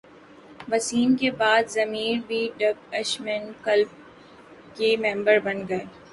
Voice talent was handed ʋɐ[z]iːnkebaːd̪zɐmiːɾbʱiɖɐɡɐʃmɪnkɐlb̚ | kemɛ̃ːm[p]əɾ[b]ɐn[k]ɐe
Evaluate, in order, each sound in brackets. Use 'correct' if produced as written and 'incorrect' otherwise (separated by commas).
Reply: incorrect, incorrect, correct, incorrect